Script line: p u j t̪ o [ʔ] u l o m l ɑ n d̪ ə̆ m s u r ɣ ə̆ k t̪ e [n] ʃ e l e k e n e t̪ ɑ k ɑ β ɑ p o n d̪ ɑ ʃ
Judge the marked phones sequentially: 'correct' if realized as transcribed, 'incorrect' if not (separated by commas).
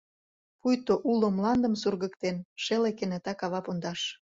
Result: correct, correct